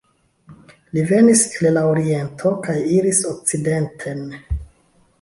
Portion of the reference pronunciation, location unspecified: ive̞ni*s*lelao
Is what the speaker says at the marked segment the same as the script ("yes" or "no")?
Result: yes